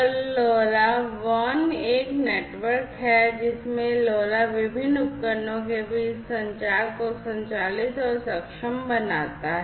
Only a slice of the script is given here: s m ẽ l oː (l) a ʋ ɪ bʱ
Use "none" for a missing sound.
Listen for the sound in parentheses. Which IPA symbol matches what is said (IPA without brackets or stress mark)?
l